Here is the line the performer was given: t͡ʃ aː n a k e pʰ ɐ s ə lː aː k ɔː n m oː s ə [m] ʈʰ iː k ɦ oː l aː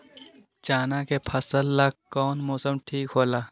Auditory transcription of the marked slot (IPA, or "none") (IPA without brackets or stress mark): m